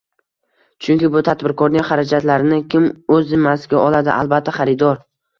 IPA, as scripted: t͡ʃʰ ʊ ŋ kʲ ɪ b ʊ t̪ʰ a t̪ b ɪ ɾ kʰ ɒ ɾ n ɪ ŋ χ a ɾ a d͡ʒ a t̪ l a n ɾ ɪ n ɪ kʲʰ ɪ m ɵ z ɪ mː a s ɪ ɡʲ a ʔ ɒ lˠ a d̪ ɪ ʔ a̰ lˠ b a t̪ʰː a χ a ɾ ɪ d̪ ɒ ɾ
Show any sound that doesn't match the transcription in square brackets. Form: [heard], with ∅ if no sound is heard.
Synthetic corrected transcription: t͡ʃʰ ʊ ŋ kʲ ɪ b ʊ t̪ʰ a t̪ b ɪ ɾ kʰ ɒ ɾ n ɪ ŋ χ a ɾ a d͡ʒ a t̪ l a [∅] ɾ ɪ n ɪ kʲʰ ɪ m ɵ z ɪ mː a s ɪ ɡʲ a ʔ ɒ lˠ a d̪ ɪ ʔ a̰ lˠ b a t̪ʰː a χ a ɾ ɪ d̪ ɒ ɾ